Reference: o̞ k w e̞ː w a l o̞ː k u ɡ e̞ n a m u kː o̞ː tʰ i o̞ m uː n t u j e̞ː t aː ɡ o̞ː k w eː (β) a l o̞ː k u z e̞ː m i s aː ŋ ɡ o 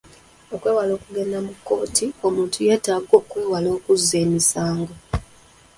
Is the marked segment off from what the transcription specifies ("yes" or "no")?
yes